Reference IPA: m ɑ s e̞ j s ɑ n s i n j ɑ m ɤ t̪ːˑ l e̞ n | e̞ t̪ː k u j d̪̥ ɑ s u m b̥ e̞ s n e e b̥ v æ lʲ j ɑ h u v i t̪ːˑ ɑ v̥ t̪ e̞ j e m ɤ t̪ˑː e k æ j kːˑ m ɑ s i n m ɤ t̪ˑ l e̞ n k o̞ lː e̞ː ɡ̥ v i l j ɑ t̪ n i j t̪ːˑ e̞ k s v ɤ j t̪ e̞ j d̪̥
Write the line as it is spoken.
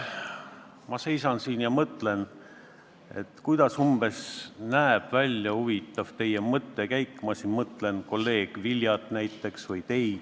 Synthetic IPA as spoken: m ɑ s e̞ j s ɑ n s i n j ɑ m ɤ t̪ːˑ l e̞ n | e̞ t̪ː k u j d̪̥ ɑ s u m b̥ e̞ s n æ e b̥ v æ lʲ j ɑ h u v i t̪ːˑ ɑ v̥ t̪ e̞ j e m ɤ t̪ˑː e k æ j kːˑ m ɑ s i n m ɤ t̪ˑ l e̞ n k o̞ lː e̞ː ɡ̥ v i l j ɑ t̪ n æ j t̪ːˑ e̞ k s v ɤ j t̪ e̞ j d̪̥